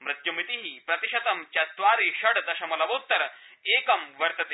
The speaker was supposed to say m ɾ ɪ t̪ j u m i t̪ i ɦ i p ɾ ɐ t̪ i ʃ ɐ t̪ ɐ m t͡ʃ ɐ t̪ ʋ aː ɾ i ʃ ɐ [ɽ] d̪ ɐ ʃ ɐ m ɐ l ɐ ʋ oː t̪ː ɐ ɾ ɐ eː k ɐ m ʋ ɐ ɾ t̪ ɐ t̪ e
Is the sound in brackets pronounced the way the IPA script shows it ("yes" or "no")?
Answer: yes